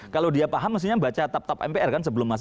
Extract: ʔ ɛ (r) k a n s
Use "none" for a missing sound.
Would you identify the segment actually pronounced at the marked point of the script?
r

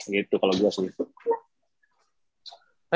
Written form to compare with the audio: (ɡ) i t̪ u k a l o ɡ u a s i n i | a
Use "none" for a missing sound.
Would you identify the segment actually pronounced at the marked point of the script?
ɡ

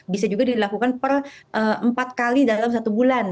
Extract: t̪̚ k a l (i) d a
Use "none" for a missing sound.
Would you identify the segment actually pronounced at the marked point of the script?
i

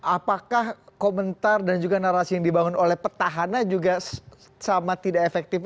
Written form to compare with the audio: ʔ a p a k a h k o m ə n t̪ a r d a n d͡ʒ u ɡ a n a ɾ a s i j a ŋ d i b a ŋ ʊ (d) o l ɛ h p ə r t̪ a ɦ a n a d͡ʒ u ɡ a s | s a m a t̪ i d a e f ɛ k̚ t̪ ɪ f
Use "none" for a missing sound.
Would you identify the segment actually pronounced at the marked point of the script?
n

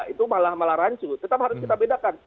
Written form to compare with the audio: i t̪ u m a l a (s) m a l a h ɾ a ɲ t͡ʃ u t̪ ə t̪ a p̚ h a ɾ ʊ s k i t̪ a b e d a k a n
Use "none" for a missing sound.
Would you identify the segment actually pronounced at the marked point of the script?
h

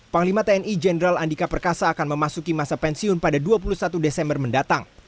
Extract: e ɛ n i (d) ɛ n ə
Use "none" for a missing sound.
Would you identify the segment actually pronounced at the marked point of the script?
d͡ʒ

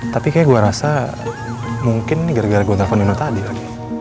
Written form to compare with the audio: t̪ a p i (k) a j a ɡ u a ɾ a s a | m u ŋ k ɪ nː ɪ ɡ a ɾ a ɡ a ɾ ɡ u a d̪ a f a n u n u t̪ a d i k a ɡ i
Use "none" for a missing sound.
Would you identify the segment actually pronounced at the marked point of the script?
k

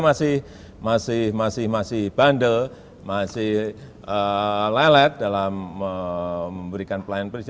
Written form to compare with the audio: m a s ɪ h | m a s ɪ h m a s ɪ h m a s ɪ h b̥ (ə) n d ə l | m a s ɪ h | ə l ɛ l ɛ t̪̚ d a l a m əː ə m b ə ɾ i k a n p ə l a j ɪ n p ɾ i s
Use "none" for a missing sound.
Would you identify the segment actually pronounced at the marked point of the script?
a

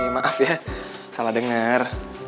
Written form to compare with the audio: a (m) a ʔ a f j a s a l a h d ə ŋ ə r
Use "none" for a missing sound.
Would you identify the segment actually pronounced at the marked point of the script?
m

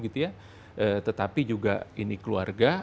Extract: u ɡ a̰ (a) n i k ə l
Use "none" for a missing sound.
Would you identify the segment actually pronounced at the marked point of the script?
i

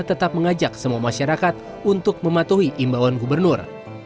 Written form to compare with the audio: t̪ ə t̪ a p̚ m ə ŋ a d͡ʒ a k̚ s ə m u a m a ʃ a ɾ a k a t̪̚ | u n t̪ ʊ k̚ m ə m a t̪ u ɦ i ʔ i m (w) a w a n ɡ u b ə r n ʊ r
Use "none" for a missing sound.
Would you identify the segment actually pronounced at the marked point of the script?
b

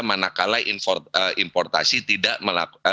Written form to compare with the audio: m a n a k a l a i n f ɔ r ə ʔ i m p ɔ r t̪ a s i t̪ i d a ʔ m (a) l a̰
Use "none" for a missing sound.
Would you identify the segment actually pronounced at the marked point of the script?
ə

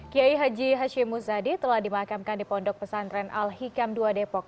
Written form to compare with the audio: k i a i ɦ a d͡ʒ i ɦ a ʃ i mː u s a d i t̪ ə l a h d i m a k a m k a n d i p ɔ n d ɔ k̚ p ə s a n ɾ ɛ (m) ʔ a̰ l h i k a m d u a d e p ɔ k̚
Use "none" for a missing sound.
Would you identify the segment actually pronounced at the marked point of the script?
n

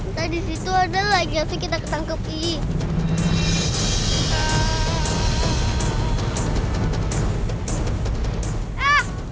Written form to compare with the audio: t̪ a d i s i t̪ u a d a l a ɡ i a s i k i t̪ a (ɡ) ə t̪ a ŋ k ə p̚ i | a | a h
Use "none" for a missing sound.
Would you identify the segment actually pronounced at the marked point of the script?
k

